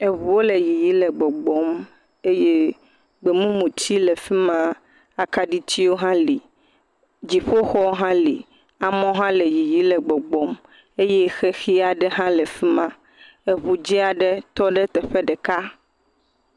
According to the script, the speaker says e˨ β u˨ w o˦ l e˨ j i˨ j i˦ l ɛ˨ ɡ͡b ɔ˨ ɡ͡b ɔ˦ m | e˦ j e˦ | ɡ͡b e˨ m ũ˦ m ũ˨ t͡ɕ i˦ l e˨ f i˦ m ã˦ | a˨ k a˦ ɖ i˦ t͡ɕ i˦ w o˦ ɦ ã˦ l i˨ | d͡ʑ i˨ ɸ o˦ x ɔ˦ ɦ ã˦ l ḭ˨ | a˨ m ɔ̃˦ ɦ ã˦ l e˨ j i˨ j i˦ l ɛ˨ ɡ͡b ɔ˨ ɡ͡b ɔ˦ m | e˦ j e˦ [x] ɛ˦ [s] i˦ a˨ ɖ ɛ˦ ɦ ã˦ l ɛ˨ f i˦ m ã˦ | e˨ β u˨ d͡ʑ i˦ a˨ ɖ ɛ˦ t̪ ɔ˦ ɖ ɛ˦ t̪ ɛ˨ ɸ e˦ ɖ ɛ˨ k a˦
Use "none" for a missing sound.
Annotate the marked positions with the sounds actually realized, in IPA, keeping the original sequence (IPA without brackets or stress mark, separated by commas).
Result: x, x